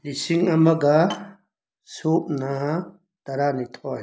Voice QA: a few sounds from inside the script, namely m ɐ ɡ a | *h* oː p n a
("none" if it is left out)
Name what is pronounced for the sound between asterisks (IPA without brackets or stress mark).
s